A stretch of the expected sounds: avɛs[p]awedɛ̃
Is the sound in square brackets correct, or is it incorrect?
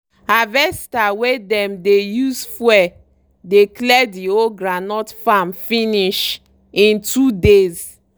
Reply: incorrect: t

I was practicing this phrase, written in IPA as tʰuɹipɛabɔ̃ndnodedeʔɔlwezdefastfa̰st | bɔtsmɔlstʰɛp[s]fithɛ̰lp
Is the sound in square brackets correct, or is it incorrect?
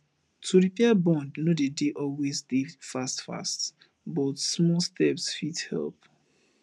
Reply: correct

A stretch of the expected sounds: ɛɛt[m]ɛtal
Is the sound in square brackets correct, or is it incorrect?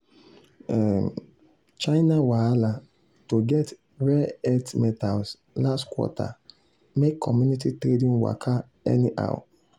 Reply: correct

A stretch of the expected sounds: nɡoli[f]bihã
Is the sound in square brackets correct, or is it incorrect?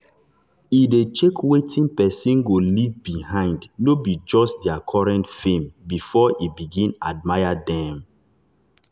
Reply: incorrect: v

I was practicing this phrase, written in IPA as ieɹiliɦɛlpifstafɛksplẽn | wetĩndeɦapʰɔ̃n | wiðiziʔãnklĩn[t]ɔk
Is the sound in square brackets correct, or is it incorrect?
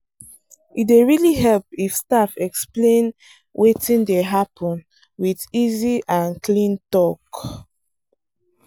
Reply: correct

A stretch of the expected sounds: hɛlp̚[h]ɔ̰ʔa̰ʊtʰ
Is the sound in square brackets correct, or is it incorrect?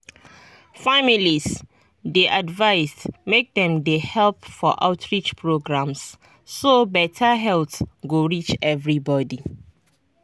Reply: incorrect: f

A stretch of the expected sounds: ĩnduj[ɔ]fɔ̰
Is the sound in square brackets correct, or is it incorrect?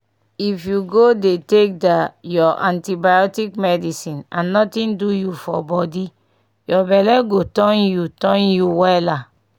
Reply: incorrect: u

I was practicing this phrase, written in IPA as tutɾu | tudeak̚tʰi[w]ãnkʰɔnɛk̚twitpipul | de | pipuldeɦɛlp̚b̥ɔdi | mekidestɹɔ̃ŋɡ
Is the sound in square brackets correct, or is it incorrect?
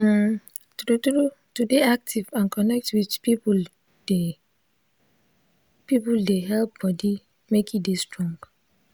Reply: incorrect: v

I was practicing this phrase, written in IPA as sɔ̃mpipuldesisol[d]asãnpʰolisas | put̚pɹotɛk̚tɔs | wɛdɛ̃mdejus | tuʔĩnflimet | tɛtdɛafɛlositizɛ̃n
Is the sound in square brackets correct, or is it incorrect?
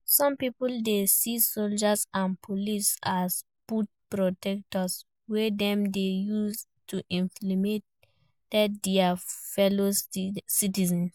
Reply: incorrect: d͡ʒ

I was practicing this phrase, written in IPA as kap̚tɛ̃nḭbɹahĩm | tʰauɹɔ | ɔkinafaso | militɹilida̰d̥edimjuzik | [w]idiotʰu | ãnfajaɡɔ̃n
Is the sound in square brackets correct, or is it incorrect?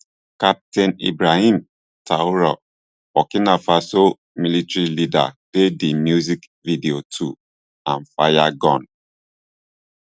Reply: incorrect: v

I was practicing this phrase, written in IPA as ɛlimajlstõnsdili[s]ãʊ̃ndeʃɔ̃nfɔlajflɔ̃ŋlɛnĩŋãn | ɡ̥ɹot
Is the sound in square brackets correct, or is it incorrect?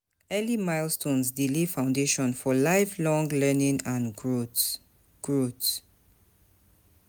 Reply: incorrect: f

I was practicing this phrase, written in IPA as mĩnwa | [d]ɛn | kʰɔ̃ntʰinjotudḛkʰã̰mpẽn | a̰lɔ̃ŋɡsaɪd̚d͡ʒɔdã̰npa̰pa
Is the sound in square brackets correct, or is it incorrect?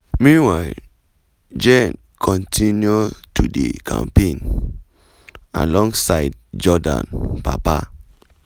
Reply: incorrect: d͡ʒ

